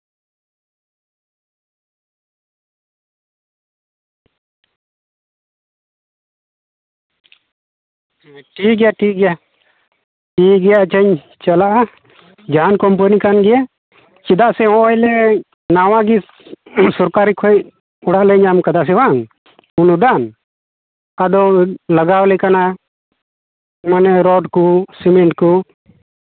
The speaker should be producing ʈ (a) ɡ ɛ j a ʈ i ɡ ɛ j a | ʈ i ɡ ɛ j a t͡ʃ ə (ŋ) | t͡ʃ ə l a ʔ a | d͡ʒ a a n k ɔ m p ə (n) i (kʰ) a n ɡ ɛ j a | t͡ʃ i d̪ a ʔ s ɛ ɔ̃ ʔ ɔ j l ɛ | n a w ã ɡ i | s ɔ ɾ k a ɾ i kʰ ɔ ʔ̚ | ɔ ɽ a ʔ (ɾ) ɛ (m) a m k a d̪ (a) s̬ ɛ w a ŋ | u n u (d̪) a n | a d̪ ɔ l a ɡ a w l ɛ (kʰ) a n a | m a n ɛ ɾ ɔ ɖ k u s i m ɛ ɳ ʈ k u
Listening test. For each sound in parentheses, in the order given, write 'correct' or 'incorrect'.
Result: incorrect: i, incorrect: ɲ, correct, incorrect: k, incorrect: l, incorrect: ɲ, correct, correct, incorrect: k

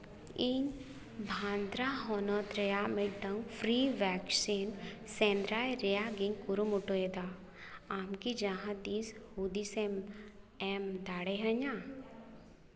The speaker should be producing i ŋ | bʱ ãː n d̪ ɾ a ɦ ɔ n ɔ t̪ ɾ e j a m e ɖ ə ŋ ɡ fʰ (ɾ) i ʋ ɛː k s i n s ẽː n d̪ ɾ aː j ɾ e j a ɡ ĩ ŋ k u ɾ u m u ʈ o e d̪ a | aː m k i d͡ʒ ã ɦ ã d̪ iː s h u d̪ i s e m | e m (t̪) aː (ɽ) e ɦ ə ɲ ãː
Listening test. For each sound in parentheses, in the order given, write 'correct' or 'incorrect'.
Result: correct, incorrect: d̪, correct

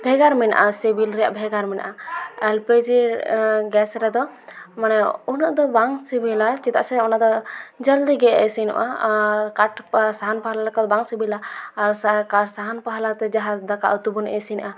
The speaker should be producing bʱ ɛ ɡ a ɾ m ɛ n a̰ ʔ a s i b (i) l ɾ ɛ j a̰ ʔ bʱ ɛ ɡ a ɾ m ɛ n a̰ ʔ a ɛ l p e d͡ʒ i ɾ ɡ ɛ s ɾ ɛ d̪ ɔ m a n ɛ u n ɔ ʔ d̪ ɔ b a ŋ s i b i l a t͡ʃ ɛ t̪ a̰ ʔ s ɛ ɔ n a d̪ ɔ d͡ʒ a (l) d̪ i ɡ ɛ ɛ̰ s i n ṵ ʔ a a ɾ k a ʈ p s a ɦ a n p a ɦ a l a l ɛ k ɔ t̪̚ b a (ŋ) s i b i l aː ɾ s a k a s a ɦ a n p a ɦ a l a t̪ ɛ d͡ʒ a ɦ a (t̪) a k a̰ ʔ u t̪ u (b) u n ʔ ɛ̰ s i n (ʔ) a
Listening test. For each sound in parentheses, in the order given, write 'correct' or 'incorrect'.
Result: correct, correct, correct, incorrect: d̪, correct, correct

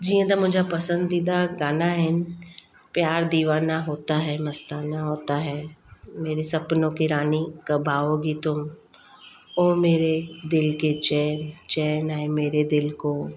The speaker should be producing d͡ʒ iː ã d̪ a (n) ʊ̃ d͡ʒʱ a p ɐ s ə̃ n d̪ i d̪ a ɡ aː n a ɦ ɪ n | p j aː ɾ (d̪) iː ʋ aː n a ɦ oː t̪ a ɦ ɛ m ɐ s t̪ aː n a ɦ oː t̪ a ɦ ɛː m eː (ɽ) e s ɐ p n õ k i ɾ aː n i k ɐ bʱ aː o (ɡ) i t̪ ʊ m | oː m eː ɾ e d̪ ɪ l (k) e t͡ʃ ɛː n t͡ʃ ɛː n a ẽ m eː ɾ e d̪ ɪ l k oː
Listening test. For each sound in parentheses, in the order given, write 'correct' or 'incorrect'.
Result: incorrect: m, correct, incorrect: ɾ, correct, correct

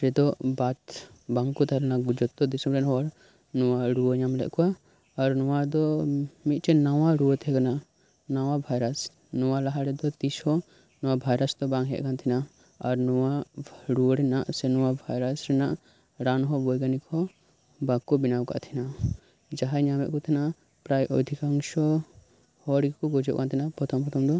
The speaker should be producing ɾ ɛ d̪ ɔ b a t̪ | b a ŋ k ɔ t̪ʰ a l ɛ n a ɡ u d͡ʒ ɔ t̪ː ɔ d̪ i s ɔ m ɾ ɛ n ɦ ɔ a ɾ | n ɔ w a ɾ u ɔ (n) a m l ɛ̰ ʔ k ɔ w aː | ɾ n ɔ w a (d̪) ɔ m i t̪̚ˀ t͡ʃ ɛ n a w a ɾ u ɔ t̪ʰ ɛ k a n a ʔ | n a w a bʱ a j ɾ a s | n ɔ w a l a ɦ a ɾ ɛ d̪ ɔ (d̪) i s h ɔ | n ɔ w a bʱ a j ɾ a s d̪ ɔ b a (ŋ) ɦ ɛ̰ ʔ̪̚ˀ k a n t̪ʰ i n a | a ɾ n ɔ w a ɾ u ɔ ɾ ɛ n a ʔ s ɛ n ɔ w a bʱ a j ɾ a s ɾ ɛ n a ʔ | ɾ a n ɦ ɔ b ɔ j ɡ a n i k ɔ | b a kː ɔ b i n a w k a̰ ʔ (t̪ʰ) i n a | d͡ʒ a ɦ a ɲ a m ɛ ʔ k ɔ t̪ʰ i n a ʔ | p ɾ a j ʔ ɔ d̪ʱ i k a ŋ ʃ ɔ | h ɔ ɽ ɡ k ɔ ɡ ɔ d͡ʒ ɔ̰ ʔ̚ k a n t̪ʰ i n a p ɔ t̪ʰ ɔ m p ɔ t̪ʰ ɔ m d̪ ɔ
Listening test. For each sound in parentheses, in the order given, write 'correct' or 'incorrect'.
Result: incorrect: ɲ, correct, incorrect: t̪, correct, correct

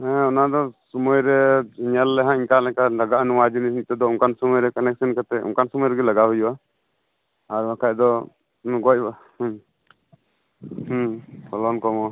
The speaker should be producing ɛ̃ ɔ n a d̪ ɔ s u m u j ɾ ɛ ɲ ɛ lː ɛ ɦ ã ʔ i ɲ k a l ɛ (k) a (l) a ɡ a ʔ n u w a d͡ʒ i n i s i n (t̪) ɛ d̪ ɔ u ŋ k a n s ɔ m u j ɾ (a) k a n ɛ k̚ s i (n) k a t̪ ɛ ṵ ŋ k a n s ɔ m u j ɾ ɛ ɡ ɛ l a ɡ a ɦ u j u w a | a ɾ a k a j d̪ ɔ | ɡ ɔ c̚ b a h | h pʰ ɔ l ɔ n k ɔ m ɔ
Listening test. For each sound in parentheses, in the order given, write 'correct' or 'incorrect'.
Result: correct, correct, correct, incorrect: ɛ, correct

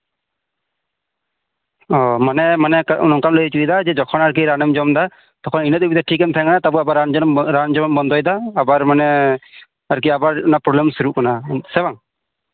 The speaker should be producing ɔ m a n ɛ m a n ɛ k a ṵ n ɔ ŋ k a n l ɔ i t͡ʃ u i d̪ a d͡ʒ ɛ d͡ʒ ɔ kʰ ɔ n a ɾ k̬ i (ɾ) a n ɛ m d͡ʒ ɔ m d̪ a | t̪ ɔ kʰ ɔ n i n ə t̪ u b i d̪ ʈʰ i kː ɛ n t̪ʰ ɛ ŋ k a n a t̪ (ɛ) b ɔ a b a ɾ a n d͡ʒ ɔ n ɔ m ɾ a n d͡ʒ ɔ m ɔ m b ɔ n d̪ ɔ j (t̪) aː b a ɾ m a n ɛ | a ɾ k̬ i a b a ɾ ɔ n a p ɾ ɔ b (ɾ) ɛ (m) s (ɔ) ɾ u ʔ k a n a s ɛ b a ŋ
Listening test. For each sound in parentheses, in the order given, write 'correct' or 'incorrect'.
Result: correct, incorrect: a, incorrect: d̪, incorrect: l, correct, incorrect: u

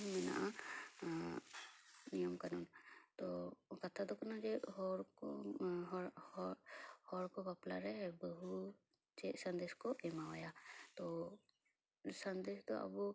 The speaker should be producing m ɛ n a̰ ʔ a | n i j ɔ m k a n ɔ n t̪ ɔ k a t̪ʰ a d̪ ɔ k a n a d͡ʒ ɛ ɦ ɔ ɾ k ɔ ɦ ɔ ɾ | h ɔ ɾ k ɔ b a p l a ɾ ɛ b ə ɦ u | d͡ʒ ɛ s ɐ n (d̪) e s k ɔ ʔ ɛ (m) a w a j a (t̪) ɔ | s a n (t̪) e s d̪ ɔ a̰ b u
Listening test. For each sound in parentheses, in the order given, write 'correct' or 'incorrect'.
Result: correct, correct, correct, incorrect: d̪

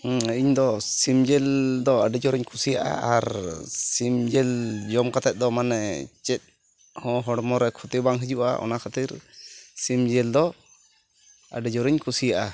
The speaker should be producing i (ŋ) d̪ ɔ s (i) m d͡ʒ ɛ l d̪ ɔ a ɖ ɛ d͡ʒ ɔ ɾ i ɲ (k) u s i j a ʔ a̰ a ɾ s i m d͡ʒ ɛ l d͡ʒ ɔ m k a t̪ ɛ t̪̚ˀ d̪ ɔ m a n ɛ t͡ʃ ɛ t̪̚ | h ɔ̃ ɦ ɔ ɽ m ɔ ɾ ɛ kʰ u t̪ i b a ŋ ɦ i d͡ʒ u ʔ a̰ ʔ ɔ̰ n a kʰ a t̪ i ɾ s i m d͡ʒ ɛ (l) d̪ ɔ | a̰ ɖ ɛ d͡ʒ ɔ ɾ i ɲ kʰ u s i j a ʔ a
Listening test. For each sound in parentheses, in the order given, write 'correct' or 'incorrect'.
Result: incorrect: ɲ, correct, incorrect: kʰ, correct

